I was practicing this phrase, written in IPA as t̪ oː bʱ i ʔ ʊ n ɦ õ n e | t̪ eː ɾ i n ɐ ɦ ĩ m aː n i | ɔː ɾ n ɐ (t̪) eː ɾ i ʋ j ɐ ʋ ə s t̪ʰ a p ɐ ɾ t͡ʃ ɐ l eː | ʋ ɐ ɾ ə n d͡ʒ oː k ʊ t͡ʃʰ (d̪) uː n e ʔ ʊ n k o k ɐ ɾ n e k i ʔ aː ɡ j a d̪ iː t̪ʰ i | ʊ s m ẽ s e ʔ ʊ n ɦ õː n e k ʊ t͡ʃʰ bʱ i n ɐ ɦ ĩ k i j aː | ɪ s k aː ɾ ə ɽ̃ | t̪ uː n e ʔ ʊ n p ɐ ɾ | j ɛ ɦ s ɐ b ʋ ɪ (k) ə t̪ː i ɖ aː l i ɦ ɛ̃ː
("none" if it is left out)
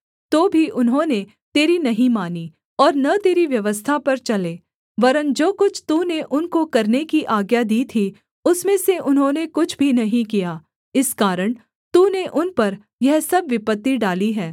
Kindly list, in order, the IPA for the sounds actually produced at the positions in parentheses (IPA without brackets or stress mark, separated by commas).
t̪, t̪, p